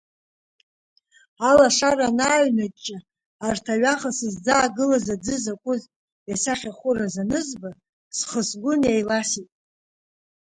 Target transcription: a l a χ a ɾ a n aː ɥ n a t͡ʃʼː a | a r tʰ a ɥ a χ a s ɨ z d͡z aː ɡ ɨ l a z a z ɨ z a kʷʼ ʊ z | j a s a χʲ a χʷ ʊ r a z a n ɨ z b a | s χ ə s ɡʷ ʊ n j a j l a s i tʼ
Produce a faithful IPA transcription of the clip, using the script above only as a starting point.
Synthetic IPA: a l a ʂ a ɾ a n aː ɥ n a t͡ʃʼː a | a r tʰ a ɥ a χ a s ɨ z d͡z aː ɡ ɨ l a z a d͡z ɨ z a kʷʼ ʊ z | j a s a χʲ a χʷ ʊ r a z a n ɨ z b a | s χ ə s ɡʷ ʊ n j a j l a s i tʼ